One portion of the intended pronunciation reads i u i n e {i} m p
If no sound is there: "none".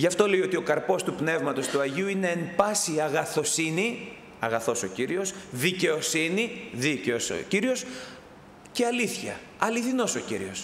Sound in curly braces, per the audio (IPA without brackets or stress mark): e